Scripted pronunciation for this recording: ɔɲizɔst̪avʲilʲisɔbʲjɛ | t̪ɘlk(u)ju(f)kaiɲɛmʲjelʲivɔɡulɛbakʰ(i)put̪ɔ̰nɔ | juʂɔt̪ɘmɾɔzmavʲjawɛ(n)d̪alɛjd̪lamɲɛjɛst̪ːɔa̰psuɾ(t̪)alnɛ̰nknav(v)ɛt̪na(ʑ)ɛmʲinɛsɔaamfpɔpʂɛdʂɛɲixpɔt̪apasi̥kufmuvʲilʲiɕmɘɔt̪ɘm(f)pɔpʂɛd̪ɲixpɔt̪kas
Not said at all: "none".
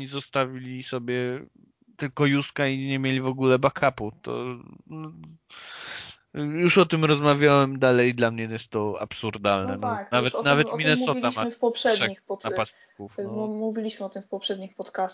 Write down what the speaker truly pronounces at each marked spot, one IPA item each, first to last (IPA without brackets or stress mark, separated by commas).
ɔ, s, a, m, d̪, v, v, f